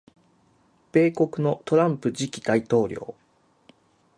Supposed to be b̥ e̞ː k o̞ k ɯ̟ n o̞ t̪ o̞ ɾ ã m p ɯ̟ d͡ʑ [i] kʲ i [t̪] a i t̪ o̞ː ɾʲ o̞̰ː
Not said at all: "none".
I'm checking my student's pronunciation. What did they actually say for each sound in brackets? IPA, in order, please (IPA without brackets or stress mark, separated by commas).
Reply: i, d̪